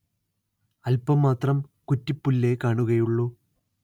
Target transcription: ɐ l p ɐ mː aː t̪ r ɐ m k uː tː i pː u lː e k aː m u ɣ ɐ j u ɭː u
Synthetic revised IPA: ɐ l p ɐ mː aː t̪ r ɐ m k u tː i pː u lː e k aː ɳ u ɣ ɐ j u ɭː u